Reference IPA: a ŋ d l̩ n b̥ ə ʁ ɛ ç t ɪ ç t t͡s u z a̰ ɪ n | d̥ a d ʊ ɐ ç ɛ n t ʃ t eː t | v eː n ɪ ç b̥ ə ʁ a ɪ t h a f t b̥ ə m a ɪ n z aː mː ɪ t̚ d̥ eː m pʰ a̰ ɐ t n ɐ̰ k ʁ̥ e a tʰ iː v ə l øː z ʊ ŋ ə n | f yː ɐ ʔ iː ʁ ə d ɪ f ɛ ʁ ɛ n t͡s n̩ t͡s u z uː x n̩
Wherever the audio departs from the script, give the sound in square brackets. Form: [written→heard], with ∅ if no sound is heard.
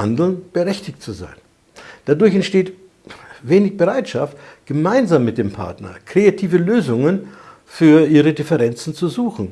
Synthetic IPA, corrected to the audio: a [ŋ→n] d l̩ n b̥ ə ʁ ɛ ç t ɪ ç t t͡s u z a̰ ɪ n | d̥ a d ʊ ɐ ç ɛ n t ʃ t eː t | v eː n ɪ ç b̥ ə ʁ a ɪ t [h→ʃ] a f t [b̥→ɡ̥] ə m a ɪ n z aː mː ɪ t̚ d̥ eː m pʰ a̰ ɐ t n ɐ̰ k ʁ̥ e a tʰ iː v ə l øː z ʊ ŋ ə n | f yː ɐ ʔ iː ʁ ə d ɪ f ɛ ʁ ɛ n t͡s n̩ t͡s u z uː x n̩